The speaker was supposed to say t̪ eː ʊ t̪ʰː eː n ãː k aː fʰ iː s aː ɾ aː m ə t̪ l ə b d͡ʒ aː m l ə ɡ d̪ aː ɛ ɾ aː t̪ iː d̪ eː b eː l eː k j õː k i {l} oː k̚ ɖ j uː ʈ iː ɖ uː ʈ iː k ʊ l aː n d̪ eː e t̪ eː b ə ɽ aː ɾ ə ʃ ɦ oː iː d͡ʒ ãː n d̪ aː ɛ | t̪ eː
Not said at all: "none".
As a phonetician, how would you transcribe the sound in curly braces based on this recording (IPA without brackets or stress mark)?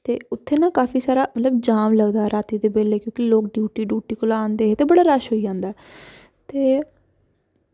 l